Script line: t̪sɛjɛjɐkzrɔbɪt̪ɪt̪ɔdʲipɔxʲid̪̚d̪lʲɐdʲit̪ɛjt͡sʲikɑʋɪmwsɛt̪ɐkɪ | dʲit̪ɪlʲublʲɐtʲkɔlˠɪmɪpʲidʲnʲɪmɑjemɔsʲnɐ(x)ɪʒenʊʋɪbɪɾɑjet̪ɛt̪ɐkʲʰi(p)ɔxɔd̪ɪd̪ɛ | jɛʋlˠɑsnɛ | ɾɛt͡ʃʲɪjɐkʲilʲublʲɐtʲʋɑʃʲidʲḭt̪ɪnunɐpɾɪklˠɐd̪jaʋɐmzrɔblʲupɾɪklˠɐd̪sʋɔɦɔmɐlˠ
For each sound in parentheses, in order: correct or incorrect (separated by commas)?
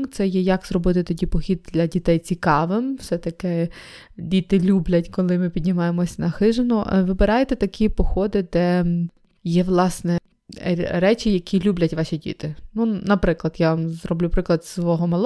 correct, correct